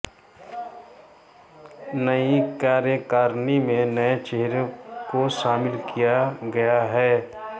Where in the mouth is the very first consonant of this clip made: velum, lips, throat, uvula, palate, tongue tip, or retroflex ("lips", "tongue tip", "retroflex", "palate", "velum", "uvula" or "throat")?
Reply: tongue tip